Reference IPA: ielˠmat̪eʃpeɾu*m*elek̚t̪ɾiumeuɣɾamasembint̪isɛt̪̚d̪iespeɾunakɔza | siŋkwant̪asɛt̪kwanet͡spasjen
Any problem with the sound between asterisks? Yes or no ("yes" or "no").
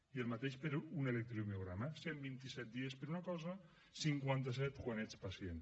yes